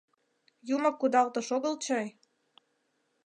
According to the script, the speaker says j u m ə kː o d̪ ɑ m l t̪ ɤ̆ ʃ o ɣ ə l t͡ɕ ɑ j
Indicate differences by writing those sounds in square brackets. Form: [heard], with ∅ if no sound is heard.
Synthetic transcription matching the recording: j u m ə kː [u] d̪ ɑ [∅] l t̪ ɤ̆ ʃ o ɣ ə l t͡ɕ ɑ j

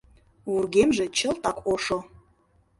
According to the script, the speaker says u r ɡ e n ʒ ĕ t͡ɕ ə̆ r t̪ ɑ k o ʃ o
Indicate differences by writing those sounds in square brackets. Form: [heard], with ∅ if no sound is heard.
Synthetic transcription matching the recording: u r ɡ e [m] ʒ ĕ t͡ɕ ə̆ [l] t̪ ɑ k o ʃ o

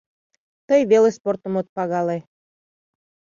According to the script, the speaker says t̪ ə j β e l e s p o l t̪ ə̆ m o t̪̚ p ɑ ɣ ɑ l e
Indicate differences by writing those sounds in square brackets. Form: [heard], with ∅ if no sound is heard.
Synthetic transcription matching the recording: t̪ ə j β e l e s p o [r] t̪ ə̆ m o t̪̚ p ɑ ɣ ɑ l e

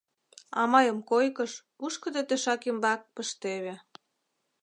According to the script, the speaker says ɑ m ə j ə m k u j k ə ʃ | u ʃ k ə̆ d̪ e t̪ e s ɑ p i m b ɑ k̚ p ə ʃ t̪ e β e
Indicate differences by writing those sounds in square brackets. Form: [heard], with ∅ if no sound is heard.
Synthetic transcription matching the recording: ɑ m [ɑ] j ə m k [o] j k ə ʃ | u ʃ k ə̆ d̪ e t̪ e [ʃ] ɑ [k] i m b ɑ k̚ p ə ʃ t̪ e β e

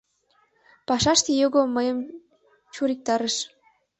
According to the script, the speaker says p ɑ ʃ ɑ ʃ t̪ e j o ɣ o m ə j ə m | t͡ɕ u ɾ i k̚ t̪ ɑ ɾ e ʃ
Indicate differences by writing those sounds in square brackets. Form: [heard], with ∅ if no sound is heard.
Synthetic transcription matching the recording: p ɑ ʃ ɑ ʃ t̪ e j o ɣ o m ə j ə m | t͡ɕ u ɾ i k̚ t̪ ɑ ɾ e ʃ

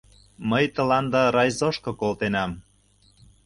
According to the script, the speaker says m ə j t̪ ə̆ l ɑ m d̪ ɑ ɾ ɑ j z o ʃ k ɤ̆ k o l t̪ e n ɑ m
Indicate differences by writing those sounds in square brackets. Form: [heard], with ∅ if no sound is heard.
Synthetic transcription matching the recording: m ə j t̪ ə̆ l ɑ [n] d̪ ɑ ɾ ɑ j z o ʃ k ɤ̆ k o l t̪ e n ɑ m

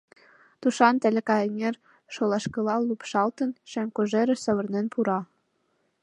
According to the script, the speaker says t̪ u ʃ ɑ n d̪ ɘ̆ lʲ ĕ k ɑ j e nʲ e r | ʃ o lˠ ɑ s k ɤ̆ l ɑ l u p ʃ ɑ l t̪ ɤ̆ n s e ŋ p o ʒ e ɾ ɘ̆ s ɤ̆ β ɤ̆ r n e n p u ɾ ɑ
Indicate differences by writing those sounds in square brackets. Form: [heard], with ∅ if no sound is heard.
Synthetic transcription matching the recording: t̪ u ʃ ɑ n [t̪] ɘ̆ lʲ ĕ k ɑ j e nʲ e r | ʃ o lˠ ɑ [ʃ] k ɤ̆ l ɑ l u p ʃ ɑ l t̪ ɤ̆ n [ʃ] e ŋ [k] o ʒ e ɾ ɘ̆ s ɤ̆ β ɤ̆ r n e n p u ɾ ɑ

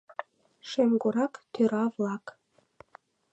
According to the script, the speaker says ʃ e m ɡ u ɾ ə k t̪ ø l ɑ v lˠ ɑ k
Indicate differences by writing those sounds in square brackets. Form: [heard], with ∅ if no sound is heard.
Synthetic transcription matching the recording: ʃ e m ɡ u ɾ [ɑ] k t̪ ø [ɾ] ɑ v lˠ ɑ k

